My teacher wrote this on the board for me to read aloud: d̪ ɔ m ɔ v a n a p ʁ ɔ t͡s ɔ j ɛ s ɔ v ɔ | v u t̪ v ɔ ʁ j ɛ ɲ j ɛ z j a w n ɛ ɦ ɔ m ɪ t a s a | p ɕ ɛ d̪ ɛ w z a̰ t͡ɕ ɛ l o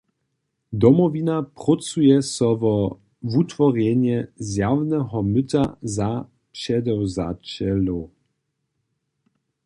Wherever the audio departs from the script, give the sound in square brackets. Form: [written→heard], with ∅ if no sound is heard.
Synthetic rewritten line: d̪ ɔ m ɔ v [a→i] n a p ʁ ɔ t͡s [ɔ→u] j ɛ s ɔ v ɔ | v u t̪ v ɔ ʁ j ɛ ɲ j ɛ z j a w n ɛ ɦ ɔ m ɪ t a [s→z] a | p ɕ ɛ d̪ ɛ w z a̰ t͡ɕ ɛ l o

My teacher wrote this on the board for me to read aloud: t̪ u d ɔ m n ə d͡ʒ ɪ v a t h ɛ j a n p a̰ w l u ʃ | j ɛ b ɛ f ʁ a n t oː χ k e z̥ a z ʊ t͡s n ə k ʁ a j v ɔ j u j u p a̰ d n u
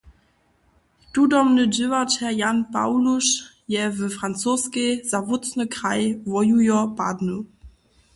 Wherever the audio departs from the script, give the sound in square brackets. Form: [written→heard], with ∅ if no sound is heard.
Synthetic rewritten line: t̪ u d ɔ m n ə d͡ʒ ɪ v a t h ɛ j a n p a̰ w l u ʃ | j ɛ [b→v] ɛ f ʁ a n [t→t͡s] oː [χ→s] k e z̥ a [z→v] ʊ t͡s n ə k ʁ a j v ɔ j u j [u→ɔ] p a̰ d n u

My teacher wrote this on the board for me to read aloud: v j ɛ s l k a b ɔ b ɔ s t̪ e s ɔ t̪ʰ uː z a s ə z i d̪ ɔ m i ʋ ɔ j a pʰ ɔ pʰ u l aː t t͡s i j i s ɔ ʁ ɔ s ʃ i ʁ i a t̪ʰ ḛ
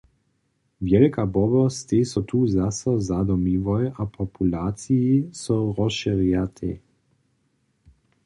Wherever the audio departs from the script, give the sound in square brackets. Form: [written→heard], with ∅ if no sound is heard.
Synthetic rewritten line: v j ɛ [s→∅] l k a b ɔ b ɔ s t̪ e s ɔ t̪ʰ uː z a s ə z [i→a] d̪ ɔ m i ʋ ɔ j a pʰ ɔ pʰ u l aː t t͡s i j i s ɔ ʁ ɔ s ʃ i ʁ [i→j] a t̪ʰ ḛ

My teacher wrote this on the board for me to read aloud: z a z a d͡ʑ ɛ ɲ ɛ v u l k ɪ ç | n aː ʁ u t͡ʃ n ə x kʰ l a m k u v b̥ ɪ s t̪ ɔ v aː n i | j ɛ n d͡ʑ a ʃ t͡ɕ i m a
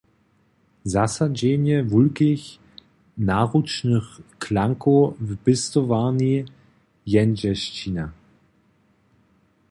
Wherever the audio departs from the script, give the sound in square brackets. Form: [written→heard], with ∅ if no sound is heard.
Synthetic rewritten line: z a [z→s] a d͡ʑ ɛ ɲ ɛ v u l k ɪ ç | n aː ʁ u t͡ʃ n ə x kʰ l a [m→ŋ] k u v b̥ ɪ s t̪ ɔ v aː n i | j ɛ n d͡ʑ [a→ɛ] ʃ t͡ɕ i [m→n] a

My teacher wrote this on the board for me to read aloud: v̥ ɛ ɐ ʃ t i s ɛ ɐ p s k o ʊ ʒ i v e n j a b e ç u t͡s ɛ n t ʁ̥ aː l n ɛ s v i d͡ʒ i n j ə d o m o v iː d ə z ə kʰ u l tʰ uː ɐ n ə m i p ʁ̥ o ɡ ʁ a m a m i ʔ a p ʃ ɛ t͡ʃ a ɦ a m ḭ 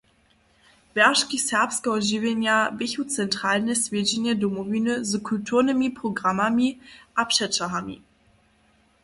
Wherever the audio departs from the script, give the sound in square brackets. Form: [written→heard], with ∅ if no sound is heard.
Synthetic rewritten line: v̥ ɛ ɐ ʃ [t→k] i s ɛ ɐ p s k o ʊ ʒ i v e n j a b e ç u t͡s ɛ n t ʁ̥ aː l n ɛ s v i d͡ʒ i n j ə d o m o v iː [d→n] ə z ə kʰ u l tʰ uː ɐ n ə m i p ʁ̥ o ɡ ʁ a m a m i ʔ a p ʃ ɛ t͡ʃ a ɦ a m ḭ

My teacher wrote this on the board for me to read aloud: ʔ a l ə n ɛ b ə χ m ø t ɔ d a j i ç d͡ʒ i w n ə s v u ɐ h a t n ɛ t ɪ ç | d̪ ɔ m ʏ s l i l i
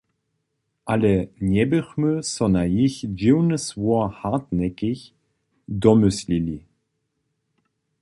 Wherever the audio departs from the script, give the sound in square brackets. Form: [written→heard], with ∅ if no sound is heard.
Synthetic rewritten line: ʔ a l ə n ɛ b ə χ m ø [t→s] ɔ [d→n] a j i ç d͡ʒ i w n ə s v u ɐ h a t n ɛ [t→k] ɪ ç | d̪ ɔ m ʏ s l i l i

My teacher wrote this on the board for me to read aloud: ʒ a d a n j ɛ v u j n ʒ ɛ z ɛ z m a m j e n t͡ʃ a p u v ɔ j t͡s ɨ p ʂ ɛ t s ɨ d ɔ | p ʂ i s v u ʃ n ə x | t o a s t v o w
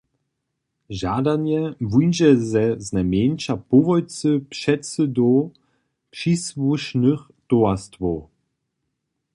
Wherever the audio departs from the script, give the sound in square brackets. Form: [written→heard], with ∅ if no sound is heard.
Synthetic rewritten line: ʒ a d a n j ɛ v u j n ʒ ɛ z ɛ z [m→n] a m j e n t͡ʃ a p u v ɔ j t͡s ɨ p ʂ ɛ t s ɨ d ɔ | p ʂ i s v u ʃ n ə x | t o a s t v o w

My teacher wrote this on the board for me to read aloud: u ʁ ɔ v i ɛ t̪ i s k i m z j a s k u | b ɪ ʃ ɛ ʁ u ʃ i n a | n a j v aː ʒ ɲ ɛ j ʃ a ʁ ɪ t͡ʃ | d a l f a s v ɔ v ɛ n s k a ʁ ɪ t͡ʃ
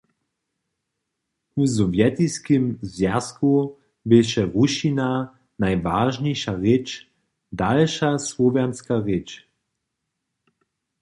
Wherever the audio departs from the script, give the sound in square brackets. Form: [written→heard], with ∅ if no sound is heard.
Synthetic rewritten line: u [ʁ→z] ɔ v [i→j] ɛ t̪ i s k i m z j a s k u | b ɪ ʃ ɛ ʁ u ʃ i n a | n a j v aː ʒ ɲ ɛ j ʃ a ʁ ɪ t͡ʃ | d a l [f→ʃ] a s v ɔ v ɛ n s k a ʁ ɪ t͡ʃ

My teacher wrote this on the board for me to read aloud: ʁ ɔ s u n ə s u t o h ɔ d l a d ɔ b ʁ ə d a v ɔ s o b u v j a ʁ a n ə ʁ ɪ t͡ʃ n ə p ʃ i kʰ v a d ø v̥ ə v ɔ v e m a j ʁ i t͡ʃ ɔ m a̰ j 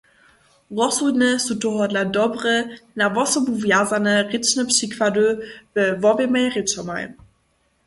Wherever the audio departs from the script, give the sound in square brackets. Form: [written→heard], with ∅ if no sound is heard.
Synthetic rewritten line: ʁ ɔ s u n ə s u t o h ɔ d l a d ɔ b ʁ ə [d→n] a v ɔ s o b u v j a [ʁ→z] a n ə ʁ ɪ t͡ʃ n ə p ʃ i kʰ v a d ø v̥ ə v ɔ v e m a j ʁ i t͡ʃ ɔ m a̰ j

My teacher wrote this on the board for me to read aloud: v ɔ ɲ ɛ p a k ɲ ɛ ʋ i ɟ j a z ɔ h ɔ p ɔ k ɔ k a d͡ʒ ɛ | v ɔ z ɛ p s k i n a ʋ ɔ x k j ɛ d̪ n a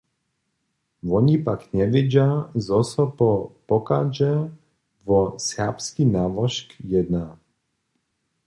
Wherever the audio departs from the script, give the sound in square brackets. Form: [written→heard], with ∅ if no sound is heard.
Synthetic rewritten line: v ɔ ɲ [ɛ→i] p a k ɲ ɛ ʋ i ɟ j a z ɔ [h→s] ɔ p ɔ [k→p] ɔ k a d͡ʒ ɛ | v ɔ [z→s] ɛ p s k i n a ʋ ɔ [x→ʃ] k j ɛ d̪ n a

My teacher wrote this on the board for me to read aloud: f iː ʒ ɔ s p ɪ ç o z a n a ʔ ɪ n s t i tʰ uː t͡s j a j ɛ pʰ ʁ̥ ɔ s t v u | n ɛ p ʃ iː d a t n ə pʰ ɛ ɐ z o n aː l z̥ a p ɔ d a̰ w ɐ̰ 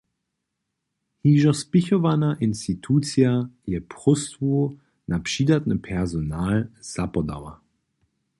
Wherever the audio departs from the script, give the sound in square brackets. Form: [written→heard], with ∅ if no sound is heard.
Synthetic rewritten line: [f→h] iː ʒ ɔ s p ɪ ç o [z→v] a n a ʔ ɪ n s t i tʰ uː t͡s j a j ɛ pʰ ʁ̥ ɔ s t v u | n [ɛ→a] p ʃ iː d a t n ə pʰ ɛ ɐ z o n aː l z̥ a p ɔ d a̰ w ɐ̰

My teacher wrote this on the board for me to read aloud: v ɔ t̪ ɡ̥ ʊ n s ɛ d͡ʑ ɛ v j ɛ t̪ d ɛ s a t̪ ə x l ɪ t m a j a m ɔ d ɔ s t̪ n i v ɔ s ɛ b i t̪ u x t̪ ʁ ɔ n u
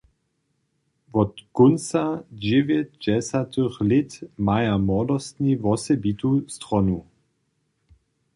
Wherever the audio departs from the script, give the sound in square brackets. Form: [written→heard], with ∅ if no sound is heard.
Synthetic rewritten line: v ɔ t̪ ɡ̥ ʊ n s [ɛ→a] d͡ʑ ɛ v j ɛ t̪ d ɛ s a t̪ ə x l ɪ t m a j a m ɔ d ɔ s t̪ n i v ɔ s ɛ b i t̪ u [x→s] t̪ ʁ ɔ n u

